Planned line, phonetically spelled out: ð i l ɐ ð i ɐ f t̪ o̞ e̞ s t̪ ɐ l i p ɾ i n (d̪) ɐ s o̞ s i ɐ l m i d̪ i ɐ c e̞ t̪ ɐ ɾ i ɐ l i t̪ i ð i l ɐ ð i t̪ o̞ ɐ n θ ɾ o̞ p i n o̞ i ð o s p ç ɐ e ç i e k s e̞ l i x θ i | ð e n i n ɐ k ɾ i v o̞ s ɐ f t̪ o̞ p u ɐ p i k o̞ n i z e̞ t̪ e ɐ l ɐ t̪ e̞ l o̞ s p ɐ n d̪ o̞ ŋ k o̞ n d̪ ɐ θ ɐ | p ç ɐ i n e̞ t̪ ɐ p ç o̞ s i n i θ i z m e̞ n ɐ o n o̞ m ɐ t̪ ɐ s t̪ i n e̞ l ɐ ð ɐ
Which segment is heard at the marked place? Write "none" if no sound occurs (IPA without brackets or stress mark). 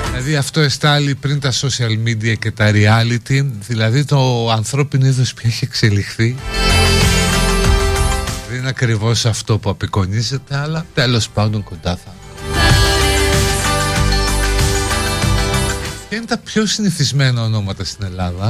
t̪